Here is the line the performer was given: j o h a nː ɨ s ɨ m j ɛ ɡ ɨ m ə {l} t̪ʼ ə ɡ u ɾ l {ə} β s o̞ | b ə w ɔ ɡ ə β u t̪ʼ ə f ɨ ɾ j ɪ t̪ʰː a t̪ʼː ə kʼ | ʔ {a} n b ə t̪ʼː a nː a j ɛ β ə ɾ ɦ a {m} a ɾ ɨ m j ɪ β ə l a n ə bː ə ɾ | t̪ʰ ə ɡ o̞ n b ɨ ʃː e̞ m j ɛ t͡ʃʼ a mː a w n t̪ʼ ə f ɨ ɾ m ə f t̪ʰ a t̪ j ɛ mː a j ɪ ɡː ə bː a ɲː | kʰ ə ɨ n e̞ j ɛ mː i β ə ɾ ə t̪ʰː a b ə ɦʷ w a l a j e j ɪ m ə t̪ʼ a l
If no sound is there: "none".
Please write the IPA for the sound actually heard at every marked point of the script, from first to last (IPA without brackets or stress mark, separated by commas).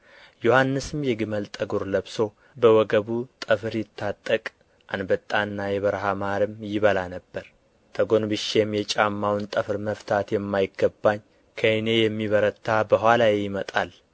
l, ə, a, m